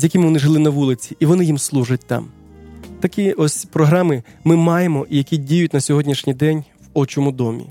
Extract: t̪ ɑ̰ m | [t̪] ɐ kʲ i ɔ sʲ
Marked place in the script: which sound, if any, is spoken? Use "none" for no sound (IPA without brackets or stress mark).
t̪